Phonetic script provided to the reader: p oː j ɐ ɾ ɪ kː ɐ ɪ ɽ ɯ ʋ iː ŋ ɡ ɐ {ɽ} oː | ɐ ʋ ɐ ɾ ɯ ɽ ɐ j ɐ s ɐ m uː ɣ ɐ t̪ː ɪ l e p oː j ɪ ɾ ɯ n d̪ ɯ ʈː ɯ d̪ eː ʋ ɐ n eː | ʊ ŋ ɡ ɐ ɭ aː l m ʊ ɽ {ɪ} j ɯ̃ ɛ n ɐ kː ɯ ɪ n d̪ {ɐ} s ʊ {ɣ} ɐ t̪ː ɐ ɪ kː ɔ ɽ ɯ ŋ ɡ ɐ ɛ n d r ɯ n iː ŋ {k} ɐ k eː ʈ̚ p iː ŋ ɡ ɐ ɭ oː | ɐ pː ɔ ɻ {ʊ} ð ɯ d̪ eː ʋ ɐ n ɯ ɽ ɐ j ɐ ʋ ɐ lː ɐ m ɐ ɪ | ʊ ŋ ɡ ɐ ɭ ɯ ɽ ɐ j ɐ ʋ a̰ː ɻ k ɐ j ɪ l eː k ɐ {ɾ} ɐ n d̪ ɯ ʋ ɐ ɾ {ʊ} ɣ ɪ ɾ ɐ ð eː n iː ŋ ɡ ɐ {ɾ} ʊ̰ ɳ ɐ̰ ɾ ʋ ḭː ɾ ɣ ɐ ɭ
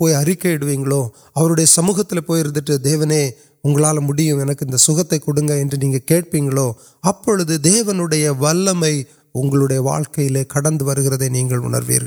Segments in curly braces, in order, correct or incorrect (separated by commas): incorrect, correct, correct, correct, incorrect, incorrect, incorrect, incorrect, incorrect